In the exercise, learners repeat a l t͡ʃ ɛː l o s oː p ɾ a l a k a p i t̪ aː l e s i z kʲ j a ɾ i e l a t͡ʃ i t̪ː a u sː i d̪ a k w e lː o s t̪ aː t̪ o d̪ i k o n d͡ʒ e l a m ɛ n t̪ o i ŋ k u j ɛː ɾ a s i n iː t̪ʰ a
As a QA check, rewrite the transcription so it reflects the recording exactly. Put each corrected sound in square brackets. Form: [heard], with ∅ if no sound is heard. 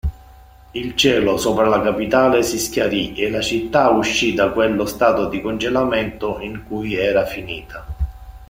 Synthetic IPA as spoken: [i] l t͡ʃ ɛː l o s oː p ɾ a l a k a p i t̪ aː l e s i [s] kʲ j a ɾ i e l a t͡ʃ i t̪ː a u [ʃː] i d̪ a k w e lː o s t̪ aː t̪ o d̪ i k o n d͡ʒ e l a m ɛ n t̪ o i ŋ k u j ɛː ɾ a [f] i n iː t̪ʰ a